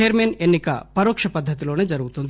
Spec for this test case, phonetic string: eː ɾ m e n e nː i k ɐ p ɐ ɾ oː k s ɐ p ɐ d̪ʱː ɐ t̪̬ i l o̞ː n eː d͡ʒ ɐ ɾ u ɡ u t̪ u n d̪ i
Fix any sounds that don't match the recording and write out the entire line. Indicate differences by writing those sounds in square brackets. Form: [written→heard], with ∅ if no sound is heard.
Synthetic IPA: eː ɾ m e n e nː i k ɐ p ɐ ɾ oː k [s→ʂ] ɐ p ɐ d̪ʱː ɐ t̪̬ i l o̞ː n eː d͡ʒ ɐ ɾ u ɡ u t̪ u n d̪ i

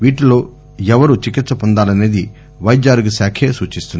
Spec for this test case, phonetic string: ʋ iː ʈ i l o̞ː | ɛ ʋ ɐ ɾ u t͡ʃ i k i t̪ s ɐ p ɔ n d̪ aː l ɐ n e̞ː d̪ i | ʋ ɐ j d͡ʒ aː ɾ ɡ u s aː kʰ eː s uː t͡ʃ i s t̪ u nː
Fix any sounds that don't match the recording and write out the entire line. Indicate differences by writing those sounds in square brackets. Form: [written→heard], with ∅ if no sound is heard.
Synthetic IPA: ʋ iː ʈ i l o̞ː | ɛ ʋ ɐ ɾ u t͡ʃ i k i t̪ s ɐ p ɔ n d̪ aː l ɐ n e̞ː d̪ i | ʋ ɐ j d͡ʒ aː ɾ ɡ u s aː kʰ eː s uː t͡ʃ i s t̪ u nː

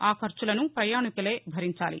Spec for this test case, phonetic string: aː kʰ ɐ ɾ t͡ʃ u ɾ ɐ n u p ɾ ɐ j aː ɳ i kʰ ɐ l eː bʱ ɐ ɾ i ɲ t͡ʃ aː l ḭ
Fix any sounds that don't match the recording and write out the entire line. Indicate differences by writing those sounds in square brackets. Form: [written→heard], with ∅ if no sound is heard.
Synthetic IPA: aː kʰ ɐ ɾ t͡ʃ u [ɾ→l] ɐ n u p ɾ ɐ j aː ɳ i [kʰ→k] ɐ l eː bʱ ɐ ɾ i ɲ t͡ʃ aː l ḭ

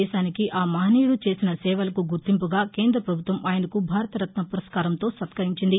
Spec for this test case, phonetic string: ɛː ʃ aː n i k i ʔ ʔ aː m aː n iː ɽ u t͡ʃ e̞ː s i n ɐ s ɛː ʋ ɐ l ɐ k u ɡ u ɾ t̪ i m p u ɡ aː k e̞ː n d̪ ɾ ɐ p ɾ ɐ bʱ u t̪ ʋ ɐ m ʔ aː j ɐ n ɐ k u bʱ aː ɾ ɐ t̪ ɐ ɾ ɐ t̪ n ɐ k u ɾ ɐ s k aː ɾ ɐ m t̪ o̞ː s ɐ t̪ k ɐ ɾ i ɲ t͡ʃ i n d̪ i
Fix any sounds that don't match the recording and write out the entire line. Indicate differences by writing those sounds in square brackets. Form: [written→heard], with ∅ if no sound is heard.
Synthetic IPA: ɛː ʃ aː n i k i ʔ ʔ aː m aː n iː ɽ u t͡ʃ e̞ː s i n ɐ s ɛː ʋ ɐ l ɐ k u ɡ u ɾ t̪ i m p u ɡ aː k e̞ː n d̪ ɾ ɐ p ɾ ɐ bʱ u t̪ ʋ ɐ m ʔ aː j ɐ n ɐ k u bʱ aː ɾ ɐ t̪ ɐ ɾ ɐ t̪ n ɐ [k→p] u ɾ ɐ s k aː ɾ ɐ m t̪ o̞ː s ɐ t̪ k ɐ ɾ i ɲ t͡ʃ i n d̪ i

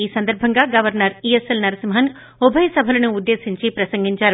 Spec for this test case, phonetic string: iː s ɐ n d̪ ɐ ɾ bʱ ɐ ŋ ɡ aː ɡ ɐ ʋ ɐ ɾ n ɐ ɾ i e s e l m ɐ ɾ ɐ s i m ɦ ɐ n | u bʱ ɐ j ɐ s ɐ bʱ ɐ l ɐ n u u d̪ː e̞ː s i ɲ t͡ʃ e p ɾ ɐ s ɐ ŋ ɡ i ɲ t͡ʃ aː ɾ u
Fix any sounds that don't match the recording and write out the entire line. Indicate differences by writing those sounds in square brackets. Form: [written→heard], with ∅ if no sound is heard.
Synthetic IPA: iː s ɐ n d̪ ɐ ɾ bʱ ɐ ŋ ɡ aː ɡ ɐ ʋ ɐ ɾ n ɐ ɾ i e s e l [m→n] ɐ ɾ ɐ s i m ɦ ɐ n | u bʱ ɐ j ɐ s ɐ bʱ ɐ l ɐ n u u d̪ː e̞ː s i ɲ t͡ʃ [e→i] p ɾ ɐ s ɐ ŋ ɡ i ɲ t͡ʃ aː ɾ u

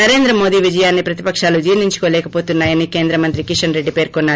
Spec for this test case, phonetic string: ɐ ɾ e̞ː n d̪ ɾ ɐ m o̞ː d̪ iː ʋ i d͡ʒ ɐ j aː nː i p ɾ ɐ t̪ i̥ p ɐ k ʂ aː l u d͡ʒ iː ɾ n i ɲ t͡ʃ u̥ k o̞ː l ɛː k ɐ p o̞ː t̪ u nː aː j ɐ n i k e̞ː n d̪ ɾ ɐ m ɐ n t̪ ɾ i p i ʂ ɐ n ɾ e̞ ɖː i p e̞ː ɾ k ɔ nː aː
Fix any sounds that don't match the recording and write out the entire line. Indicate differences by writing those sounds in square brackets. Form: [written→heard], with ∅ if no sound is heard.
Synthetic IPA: ɐ ɾ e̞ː n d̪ ɾ ɐ m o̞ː d̪ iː ʋ i d͡ʒ ɐ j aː nː i p ɾ ɐ t̪ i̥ p ɐ k ʂ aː l u d͡ʒ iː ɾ n i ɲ t͡ʃ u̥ k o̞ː l ɛː k ɐ p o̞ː t̪ u nː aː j ɐ n i k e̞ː n d̪ ɾ ɐ m ɐ n t̪ ɾ i [p→k] i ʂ ɐ n ɾ e̞ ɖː i p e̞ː ɾ k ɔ nː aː

